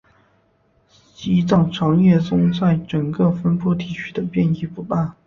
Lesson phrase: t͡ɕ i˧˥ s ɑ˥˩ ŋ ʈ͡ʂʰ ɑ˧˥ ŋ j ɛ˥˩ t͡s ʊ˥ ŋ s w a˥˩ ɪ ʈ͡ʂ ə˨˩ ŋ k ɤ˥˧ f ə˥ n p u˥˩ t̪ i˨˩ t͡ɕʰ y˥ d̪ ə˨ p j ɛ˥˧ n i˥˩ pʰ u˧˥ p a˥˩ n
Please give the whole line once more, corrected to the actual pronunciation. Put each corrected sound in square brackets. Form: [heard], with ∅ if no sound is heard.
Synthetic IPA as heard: t͡ɕ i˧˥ [t͡s] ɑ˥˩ ŋ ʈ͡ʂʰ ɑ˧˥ ŋ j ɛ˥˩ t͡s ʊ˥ ŋ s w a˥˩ ɪ ʈ͡ʂ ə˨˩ ŋ k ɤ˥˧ f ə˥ n p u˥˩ t̪ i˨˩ t͡ɕʰ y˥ d̪ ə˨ p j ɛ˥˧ n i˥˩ [p] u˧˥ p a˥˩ n